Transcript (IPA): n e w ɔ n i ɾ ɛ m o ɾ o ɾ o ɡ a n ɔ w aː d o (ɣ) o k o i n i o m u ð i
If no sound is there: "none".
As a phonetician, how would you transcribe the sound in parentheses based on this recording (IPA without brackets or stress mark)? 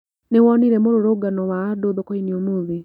ð